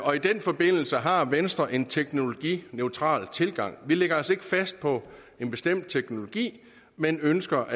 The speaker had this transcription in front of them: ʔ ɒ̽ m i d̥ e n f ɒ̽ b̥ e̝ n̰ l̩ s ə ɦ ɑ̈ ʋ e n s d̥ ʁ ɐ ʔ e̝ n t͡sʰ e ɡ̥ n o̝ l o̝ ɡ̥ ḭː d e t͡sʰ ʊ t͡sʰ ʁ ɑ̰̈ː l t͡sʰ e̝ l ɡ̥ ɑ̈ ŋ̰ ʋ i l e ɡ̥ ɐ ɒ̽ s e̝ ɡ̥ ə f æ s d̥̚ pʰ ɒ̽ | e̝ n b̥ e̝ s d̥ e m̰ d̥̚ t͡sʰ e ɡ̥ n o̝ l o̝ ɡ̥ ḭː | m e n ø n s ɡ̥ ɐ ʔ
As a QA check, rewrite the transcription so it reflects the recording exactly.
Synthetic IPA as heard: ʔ ɒ̽ i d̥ e n f ɒ̽ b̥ e̝ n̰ l̩ s ə ɦ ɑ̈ ʋ e n s d̥ ʁ ɐ ʔ e̝ n t͡sʰ e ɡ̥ n o̝ l o̝ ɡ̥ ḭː n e ʊ t͡sʰ ʁ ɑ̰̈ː l t͡sʰ e̝ l ɡ̥ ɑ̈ ŋ̰ ʋ i l e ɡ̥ ɐ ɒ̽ s e̝ ɡ̥ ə f æ s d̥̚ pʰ ɒ̽ | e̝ n b̥ e̝ s d̥ e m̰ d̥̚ t͡sʰ e ɡ̥ n o̝ l o̝ ɡ̥ ḭː | m e n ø n s ɡ̥ ɐ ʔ